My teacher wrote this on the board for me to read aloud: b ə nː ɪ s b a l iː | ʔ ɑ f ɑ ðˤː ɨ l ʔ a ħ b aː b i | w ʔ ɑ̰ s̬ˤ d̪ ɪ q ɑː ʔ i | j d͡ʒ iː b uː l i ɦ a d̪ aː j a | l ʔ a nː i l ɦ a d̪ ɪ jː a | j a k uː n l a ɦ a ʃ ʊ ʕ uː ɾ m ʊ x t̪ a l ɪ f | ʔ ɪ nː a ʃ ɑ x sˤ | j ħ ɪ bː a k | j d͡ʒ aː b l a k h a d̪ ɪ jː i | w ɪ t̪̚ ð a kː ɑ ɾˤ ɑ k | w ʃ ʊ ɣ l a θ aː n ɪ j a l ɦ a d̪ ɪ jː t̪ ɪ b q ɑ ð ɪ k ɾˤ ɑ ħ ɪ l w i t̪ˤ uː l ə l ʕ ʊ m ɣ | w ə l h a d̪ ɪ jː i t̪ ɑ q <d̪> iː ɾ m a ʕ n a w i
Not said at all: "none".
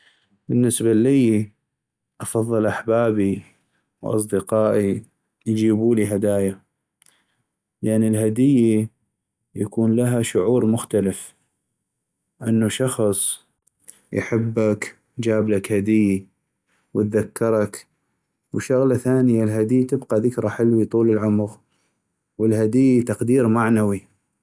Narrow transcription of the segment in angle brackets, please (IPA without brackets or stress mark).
d̪